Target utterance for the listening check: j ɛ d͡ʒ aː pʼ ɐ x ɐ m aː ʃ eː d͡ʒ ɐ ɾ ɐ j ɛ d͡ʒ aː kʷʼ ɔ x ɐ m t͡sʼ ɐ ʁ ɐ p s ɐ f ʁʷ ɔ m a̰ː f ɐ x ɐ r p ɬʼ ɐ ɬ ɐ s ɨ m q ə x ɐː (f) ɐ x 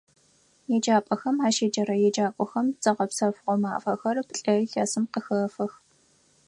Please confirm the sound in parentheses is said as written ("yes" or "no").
yes